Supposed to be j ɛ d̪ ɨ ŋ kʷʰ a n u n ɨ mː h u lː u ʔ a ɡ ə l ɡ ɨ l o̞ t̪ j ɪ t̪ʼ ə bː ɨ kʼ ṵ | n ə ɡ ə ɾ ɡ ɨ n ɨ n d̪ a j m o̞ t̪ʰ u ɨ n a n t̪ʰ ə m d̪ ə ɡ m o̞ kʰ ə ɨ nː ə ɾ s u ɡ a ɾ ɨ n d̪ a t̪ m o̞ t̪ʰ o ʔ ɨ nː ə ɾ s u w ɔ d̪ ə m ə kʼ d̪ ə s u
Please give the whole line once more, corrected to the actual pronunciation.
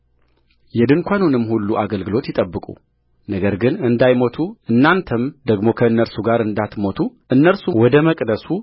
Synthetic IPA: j ɛ d̪ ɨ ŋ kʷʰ a n u n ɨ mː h u lː u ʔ a ɡ ə l ɡ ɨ l o̞ t̪ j ɪ t̪ʼ ə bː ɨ kʼ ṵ | n ə ɡ ə ɾ ɡ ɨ n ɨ n d̪ a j m o̞ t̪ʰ u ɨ nː a n t̪ʰ ə m d̪ ə ɡ m o̞ kʰ ə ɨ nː ə ɾ s u ɡ a ɾ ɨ n d̪ a t̪ m o̞ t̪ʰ u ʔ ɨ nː ə ɾ s u w ɔ d̪ ə m ə kʼ d̪ ə s u